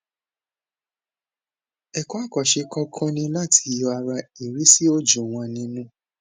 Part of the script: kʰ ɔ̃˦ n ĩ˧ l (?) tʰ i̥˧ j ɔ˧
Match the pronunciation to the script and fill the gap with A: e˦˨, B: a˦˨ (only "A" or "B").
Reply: B